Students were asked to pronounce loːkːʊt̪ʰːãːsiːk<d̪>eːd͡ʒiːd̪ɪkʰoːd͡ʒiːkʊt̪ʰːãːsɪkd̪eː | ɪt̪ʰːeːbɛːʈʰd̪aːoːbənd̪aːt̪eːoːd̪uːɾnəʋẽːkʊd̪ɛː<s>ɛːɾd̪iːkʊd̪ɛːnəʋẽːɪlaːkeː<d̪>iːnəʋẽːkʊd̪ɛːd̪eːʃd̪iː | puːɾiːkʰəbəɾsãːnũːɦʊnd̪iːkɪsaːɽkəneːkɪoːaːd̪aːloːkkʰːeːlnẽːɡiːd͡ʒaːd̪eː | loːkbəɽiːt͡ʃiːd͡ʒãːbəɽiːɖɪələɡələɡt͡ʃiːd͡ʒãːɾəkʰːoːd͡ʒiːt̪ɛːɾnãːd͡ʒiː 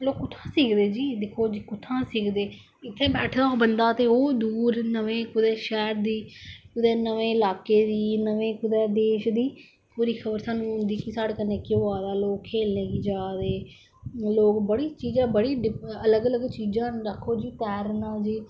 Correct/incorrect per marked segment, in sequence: correct, incorrect: ʃ, correct

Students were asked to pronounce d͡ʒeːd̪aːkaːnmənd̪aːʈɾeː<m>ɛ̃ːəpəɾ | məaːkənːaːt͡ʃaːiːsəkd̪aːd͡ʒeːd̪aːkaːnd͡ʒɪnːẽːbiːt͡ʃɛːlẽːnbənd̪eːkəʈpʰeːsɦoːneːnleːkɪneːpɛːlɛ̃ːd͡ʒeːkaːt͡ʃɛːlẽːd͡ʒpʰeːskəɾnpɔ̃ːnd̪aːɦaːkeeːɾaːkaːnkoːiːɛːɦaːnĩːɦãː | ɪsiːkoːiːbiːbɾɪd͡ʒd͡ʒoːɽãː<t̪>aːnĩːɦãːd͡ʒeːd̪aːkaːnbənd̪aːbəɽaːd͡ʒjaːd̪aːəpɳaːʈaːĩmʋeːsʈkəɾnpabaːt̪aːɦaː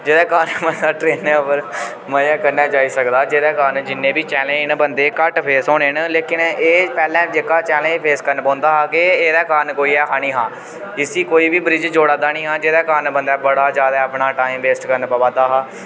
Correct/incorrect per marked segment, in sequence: incorrect: n, incorrect: d̪

